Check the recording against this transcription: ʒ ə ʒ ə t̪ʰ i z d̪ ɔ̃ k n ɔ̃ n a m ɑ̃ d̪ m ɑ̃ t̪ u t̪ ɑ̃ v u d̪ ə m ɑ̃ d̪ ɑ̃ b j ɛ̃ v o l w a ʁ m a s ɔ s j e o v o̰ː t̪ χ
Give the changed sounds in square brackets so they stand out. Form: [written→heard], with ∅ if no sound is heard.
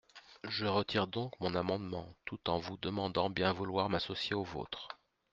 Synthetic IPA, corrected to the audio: ʒ ə [ʒ→ʁ] ə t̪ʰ i [z→ʁ] d̪ ɔ̃ k [n→m] ɔ̃ n a m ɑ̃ d̪ m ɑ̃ t̪ u t̪ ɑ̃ v u d̪ ə m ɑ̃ d̪ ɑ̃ b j ɛ̃ v [o→u] l w a ʁ m a s ɔ s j e o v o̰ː t̪ χ